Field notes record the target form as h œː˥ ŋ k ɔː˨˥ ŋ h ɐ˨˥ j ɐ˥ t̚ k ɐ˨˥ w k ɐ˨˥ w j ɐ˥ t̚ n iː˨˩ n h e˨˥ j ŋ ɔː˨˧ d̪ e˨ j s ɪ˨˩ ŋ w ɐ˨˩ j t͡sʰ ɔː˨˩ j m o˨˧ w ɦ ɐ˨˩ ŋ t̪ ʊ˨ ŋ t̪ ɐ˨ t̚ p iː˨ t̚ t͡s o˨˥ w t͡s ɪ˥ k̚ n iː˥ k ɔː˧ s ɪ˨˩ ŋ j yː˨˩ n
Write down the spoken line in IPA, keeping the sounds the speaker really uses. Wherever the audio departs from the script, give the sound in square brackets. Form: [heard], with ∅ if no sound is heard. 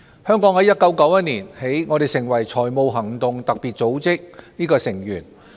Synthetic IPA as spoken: h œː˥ ŋ k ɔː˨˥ ŋ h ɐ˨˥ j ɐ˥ t̚ k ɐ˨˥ w k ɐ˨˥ w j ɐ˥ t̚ n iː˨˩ n h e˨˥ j ŋ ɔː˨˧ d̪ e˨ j s ɪ˨˩ ŋ w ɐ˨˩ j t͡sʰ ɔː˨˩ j m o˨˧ w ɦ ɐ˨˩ ŋ t̪ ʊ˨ ŋ t̪ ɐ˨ [k̚] p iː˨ t̚ t͡s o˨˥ w t͡s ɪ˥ k̚ n iː˥ k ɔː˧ s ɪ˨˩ ŋ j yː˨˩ n